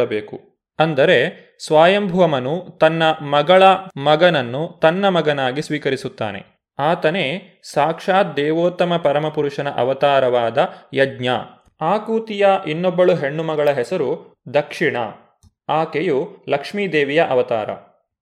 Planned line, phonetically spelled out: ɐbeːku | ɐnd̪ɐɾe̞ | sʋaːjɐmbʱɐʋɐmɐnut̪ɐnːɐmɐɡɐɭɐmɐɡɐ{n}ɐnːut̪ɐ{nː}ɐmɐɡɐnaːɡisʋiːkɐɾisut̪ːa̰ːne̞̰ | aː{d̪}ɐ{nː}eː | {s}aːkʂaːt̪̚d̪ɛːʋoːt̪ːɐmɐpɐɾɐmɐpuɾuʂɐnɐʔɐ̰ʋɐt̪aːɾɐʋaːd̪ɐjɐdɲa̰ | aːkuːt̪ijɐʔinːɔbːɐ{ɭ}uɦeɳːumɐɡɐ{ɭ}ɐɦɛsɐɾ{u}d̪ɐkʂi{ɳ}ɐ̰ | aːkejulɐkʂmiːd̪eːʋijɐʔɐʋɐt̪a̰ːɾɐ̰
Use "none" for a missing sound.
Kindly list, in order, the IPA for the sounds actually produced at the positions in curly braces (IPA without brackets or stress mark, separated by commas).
n, nː, t̪, n, s, ɭ, ɭ, u, ɳ